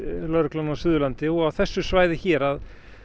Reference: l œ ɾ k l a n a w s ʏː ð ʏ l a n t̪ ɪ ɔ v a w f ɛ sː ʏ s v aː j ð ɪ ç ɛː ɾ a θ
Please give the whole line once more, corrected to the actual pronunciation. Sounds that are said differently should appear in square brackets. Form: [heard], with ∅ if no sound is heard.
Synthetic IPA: l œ ɾ k l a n a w s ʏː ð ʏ l a n t̪ ɪ ɔ [ɣ] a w [θ] ɛ sː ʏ s v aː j ð ɪ ç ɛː ɾ a [ð]